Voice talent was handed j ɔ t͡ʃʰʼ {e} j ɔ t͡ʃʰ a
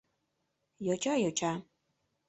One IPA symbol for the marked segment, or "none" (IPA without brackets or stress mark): a